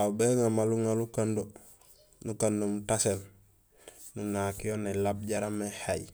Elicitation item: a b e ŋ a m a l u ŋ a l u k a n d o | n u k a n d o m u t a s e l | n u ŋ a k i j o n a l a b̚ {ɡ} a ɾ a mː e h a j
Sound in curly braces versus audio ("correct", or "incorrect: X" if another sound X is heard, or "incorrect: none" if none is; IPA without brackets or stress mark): incorrect: ɟ